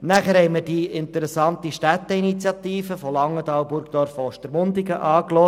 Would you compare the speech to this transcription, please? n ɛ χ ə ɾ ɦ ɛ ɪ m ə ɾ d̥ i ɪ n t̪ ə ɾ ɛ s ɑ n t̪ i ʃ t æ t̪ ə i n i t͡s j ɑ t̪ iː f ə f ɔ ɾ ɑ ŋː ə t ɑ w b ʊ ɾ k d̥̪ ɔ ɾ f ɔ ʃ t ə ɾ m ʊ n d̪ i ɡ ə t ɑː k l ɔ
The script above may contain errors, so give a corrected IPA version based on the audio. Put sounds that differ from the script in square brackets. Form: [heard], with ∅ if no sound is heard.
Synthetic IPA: n [æ] χ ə ɾ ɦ ɛ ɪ m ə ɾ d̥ i ɪ n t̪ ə ɾ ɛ s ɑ n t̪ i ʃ t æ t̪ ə i n i t͡s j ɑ t̪ iː f ə f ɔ [l] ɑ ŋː ə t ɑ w b ʊ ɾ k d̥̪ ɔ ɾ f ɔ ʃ t ə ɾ m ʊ n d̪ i ɡ ə [ʔ] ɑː k l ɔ